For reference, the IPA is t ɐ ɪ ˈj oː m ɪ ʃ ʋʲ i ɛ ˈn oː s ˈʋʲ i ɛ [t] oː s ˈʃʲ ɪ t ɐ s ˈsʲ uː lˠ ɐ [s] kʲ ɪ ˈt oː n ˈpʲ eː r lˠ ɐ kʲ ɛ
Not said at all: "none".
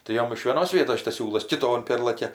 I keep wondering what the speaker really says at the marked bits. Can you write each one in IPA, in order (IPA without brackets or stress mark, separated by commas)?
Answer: t, s